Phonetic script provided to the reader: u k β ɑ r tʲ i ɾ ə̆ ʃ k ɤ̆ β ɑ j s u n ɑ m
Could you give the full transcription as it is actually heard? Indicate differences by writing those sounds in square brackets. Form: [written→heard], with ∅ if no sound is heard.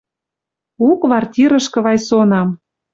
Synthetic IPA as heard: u k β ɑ r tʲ i ɾ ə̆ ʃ k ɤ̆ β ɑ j s [u→o] n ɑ m